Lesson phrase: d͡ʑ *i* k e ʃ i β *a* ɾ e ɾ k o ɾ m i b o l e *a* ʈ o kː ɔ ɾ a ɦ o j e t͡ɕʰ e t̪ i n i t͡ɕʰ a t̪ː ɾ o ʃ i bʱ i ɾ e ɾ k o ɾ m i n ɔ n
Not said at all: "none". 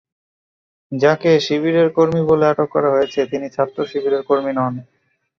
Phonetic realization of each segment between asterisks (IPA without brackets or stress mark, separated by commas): a, i, a